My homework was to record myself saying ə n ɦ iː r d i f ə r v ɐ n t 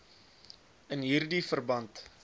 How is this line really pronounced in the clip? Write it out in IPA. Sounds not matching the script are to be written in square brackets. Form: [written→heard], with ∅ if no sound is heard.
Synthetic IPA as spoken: ə n ɦ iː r d i f ə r [v→b] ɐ n t